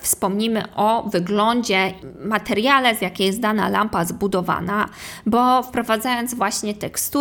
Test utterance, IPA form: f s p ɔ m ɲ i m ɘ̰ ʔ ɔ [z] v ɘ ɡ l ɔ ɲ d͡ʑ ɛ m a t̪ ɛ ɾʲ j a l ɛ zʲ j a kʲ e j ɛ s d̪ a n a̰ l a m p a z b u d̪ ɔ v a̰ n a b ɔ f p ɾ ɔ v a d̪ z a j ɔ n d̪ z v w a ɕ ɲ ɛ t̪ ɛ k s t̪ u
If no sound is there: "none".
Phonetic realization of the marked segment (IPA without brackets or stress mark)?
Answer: none